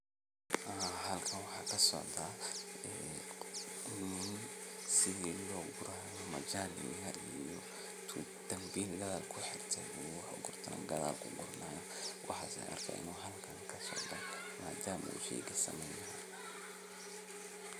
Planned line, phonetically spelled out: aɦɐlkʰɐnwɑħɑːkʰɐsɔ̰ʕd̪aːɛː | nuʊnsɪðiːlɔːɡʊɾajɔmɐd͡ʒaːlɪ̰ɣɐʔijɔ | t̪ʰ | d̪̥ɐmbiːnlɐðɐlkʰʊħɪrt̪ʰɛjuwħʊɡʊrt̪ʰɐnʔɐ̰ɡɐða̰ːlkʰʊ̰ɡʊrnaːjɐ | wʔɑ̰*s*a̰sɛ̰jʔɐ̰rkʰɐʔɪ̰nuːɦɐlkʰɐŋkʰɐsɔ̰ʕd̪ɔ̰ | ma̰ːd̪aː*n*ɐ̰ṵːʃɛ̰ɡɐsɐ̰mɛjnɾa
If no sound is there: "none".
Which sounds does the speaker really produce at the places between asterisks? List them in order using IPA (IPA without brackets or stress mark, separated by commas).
ħ, m